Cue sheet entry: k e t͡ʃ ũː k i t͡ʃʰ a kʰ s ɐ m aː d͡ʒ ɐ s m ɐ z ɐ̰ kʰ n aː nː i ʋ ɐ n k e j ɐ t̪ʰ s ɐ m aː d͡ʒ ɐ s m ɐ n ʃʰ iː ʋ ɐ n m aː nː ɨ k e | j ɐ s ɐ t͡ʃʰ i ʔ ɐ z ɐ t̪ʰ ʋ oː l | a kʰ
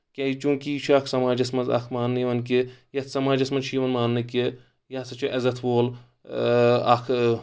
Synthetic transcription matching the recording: k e t͡ʃ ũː k i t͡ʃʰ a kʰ s ɐ m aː d͡ʒ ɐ s m ɐ z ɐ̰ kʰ m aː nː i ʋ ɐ n k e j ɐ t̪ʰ s ɐ m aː d͡ʒ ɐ s m ɐ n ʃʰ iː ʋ ɐ n m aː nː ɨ k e | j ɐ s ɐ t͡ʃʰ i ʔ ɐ z ɐ t̪ʰ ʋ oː l | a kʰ